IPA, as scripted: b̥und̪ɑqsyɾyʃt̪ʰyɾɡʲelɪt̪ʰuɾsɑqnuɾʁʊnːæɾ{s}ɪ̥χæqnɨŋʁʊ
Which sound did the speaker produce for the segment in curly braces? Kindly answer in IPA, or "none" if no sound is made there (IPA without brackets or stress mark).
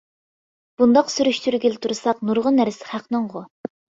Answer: s